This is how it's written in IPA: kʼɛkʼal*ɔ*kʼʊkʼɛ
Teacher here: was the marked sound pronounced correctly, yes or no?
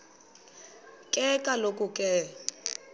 no